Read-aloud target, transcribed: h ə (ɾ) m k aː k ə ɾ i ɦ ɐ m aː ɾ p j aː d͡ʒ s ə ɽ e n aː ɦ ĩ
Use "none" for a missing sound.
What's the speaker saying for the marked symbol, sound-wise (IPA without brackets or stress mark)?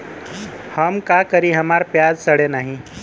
none